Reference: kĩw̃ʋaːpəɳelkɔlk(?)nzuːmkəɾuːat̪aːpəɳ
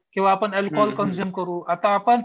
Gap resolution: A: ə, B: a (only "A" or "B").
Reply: A